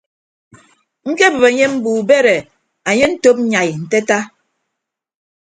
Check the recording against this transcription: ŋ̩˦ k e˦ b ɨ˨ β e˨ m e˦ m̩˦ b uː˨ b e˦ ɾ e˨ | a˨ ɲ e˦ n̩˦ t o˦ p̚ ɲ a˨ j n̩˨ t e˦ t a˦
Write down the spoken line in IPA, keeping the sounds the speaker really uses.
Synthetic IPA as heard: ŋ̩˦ k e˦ b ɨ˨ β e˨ ɲ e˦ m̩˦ b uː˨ b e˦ ɾ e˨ | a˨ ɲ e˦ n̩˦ t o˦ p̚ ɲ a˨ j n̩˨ t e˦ t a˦